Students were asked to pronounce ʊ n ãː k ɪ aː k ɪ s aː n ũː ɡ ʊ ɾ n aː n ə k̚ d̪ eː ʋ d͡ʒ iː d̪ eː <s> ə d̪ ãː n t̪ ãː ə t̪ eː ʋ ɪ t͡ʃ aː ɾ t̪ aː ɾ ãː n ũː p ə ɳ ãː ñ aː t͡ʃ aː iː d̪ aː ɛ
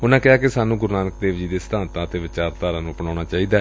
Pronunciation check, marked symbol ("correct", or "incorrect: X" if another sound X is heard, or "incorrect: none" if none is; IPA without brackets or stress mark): correct